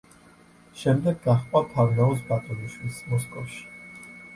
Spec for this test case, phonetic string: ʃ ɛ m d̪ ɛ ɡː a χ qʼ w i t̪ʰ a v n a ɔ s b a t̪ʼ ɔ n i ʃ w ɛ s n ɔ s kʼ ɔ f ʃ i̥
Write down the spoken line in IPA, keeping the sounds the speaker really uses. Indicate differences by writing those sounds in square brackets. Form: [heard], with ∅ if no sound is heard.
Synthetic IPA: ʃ ɛ m d̪ ɛ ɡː a χ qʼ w [a] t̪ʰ a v n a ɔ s b a t̪ʼ ɔ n i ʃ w [i] s [m] ɔ s kʼ ɔ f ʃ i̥